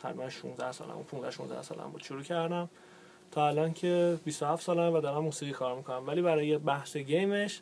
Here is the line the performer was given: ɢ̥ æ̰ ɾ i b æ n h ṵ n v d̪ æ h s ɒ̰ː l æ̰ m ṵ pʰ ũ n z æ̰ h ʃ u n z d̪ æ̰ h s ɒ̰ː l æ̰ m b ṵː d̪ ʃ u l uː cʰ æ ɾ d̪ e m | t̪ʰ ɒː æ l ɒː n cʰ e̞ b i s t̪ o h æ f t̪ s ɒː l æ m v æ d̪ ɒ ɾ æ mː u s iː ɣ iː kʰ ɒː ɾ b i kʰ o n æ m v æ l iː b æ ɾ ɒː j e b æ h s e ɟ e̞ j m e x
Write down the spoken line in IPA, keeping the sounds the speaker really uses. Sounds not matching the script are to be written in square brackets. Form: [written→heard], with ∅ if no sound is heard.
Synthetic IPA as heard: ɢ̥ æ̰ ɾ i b æ n [h→ʃ] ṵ n [v→z] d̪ æ h s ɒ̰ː l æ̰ m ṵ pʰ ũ n z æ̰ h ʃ u n z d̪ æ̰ h s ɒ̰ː l æ̰ m b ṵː d̪ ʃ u [l→ɾ] uː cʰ æ ɾ d̪ [e→æ] m | t̪ʰ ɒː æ l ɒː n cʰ e̞ b i s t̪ o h æ f t̪ s ɒː l æ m v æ d̪ ɒ ɾ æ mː u s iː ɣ iː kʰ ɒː ɾ [b→m] i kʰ o n æ m v æ l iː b æ ɾ ɒː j e b æ h s e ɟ e̞ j m e [x→ʃ]